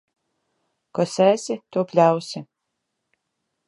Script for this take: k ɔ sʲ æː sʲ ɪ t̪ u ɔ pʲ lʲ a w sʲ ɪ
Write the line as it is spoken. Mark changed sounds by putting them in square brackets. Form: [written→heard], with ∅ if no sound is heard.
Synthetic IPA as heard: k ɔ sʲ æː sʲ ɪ t̪ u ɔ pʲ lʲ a w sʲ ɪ